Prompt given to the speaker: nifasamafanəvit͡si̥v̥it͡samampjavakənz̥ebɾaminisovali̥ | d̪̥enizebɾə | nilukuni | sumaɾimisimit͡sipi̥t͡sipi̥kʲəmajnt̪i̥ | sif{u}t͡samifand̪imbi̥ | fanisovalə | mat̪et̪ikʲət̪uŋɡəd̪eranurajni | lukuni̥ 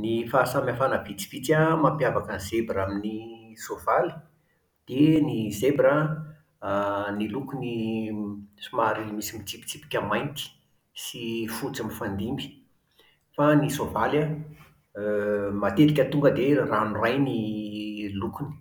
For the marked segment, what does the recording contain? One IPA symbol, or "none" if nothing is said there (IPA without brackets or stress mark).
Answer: u